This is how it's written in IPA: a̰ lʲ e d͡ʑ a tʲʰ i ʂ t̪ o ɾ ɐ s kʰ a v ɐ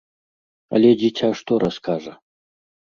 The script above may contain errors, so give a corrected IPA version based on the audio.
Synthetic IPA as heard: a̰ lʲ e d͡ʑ i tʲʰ a ʂ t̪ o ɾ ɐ s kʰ a ʐ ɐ